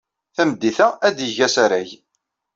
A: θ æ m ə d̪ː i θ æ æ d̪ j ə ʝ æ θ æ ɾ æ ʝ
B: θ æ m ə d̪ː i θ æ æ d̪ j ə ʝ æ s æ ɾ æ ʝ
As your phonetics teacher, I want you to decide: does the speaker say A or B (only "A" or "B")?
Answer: B